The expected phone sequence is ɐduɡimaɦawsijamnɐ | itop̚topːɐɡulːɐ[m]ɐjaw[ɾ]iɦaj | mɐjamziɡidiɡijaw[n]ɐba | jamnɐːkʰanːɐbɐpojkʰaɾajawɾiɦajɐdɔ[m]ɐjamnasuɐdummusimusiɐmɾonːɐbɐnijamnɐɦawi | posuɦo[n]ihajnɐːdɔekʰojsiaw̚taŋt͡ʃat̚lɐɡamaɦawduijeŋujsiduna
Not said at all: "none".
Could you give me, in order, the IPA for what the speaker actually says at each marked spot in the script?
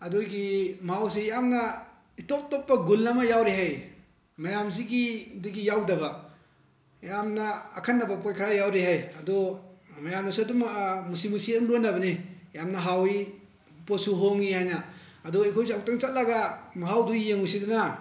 m, ɾ, d, m, ŋ

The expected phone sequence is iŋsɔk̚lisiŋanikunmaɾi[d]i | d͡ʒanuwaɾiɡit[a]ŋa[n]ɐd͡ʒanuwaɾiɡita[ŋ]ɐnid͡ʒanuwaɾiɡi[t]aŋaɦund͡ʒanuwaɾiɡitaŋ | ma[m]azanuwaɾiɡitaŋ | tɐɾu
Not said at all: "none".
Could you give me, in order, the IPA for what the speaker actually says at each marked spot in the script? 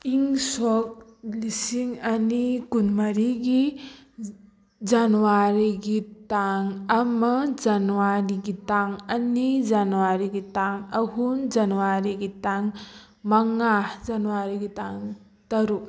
ɡ, a, m, ŋ, t, ŋ

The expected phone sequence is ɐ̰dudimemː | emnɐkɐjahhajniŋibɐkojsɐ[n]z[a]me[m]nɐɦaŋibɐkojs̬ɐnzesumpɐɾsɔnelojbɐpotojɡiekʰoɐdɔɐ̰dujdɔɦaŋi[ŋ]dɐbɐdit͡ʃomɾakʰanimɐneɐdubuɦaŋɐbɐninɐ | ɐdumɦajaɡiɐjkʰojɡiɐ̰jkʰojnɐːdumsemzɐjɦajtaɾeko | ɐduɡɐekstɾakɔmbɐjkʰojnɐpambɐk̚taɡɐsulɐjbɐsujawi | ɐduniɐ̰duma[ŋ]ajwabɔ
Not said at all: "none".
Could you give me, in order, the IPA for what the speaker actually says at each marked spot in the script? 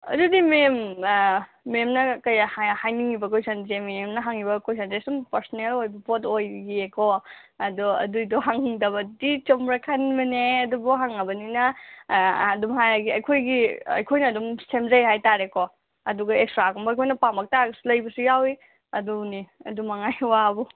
n, e, m, ŋ, ŋ

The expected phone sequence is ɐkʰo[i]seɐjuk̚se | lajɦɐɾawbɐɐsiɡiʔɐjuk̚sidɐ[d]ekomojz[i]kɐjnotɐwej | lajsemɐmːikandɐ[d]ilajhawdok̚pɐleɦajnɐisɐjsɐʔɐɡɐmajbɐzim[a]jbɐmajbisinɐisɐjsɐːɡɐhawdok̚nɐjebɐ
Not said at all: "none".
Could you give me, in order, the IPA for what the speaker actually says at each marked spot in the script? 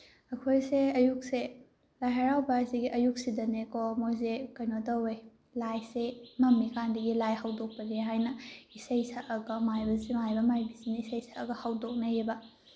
j, n, e, ɡ, a

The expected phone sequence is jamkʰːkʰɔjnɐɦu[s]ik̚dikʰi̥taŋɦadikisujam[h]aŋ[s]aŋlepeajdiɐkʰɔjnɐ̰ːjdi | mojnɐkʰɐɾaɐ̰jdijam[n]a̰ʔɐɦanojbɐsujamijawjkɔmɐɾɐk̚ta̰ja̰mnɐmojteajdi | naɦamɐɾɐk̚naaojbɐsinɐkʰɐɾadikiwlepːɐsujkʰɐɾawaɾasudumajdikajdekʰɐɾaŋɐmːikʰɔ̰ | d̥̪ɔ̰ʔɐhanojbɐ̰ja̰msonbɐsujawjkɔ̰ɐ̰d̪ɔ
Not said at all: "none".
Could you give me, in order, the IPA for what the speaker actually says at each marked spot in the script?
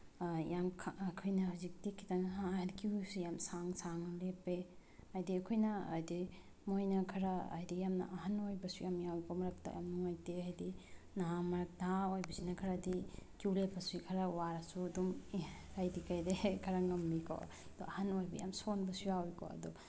z, s, s, n

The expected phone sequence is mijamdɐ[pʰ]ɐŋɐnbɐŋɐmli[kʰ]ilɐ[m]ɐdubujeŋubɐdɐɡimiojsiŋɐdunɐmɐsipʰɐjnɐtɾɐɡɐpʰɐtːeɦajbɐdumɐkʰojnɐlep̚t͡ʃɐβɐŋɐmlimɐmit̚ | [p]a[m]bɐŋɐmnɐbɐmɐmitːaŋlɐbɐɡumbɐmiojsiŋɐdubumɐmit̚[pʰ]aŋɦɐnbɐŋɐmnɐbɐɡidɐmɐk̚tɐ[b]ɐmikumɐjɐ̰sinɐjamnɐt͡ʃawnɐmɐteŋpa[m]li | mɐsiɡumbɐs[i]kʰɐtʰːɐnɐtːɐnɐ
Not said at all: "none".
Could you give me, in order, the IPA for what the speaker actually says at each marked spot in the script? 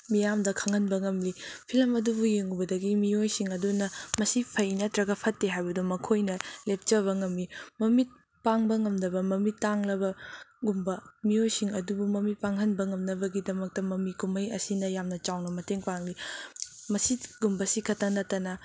kʰ, pʰ, m, p, ŋ, p, m, ŋ, i

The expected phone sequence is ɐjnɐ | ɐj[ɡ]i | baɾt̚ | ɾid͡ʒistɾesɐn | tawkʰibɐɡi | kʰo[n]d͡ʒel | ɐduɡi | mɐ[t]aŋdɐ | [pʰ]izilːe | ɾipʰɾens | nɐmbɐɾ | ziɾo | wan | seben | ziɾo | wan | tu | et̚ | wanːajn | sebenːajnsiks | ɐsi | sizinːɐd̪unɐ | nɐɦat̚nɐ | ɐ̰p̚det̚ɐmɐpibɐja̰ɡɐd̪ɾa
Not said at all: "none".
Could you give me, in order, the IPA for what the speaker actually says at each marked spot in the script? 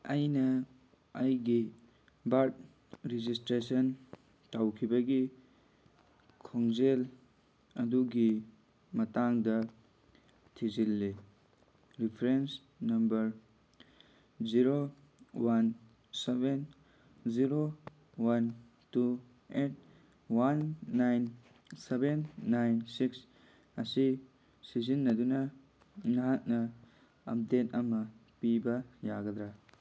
ɡ, ŋ, t, tʰ

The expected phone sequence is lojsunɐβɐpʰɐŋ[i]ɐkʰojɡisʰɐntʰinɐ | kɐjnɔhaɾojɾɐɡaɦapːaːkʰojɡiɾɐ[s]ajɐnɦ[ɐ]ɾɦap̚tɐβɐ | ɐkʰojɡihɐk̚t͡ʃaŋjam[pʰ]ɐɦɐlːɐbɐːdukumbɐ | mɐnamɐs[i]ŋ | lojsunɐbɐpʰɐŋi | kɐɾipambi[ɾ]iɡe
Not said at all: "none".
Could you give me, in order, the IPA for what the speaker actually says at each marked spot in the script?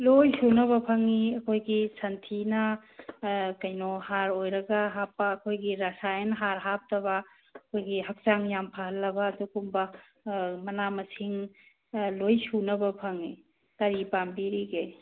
i, s, a, pʰ, i, ɾ

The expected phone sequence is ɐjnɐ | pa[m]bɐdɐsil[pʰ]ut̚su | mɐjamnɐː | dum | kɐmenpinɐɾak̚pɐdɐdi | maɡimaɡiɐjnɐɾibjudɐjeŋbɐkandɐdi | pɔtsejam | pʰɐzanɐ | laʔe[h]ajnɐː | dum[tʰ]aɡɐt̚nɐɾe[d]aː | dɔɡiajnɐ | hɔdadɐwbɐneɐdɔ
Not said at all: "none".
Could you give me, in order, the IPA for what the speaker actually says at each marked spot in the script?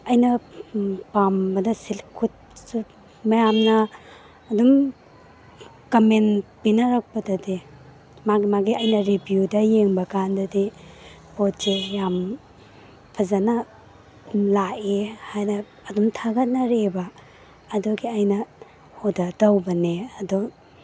m, kʰ, h, tʰ, b

